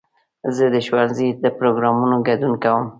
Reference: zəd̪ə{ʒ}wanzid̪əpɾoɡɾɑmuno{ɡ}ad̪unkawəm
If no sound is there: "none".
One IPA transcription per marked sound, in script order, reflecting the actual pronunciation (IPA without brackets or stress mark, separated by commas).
ʃ, ɡ